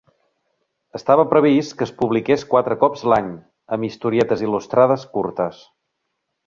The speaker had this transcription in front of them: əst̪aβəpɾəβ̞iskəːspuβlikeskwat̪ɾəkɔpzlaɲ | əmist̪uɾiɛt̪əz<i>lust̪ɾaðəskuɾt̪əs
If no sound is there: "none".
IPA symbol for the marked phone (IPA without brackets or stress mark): i